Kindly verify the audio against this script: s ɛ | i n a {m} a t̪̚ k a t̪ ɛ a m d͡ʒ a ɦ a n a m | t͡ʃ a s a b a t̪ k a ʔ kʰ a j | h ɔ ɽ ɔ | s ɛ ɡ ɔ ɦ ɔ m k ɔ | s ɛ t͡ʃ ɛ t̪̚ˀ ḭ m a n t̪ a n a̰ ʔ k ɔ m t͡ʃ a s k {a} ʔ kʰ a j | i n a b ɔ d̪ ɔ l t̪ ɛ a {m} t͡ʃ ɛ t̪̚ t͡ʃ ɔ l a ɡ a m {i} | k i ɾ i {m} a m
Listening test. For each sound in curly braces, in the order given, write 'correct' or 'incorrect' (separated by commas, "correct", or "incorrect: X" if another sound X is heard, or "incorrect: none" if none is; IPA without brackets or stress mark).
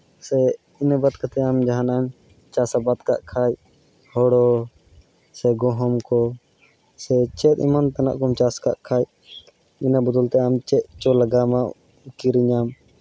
incorrect: b, correct, correct, incorrect: a, incorrect: ɲ